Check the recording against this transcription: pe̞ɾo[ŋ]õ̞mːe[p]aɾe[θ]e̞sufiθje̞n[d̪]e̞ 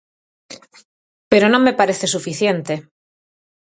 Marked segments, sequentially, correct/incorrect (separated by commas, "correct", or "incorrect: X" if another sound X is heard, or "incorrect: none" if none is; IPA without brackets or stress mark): incorrect: n, correct, correct, incorrect: t̪